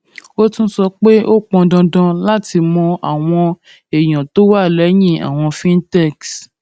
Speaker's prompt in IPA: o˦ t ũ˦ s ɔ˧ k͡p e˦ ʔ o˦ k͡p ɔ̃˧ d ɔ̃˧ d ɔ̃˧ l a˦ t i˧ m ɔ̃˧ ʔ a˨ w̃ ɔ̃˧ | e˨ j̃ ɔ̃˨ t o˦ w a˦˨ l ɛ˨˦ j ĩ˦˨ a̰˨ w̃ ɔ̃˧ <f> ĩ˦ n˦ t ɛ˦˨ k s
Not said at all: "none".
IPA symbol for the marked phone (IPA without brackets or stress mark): f